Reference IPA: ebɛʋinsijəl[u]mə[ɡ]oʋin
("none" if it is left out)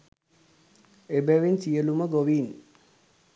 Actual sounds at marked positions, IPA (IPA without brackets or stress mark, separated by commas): u, ɡ